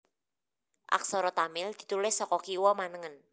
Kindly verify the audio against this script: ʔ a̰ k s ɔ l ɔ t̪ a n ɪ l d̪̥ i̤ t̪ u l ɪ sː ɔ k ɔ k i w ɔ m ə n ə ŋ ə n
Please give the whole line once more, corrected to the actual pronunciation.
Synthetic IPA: ʔ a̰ k s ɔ ɾ ɔ t̪ a m ɪ l d̪̥ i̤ t̪ u l ɪ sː ɔ k ɔ k i w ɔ m a n ə ŋ ə n